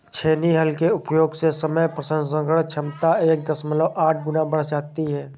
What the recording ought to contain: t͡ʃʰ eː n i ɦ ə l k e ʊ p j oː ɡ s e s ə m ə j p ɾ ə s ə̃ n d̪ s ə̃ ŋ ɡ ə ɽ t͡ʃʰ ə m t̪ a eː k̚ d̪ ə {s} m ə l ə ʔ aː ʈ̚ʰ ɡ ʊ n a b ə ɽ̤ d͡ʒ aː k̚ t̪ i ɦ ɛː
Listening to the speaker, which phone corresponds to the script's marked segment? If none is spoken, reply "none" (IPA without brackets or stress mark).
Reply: s